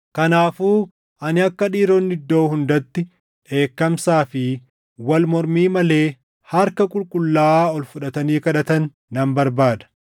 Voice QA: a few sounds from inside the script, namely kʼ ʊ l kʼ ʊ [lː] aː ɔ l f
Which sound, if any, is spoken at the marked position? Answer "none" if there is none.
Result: lː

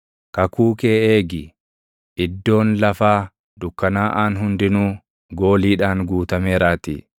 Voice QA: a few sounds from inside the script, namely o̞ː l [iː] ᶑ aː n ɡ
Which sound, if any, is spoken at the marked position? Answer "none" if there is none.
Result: iː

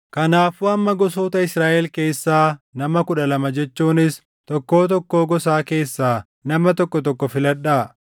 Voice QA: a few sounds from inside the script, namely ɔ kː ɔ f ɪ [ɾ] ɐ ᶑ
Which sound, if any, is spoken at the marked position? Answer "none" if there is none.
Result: l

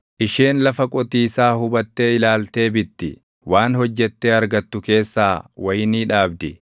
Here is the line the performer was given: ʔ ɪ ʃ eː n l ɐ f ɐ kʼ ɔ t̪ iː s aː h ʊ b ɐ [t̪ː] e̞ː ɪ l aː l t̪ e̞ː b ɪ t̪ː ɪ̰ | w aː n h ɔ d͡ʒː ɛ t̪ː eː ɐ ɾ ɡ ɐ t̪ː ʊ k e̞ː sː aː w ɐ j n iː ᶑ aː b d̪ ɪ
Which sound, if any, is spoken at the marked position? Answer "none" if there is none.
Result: t̪ː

